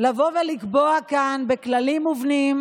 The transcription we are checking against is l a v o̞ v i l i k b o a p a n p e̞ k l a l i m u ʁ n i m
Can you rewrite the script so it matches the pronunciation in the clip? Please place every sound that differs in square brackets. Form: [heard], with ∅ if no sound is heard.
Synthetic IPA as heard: l a v o̞ v [e] l i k b o a [k] a n [b] e̞ k l a l i m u [v] n i m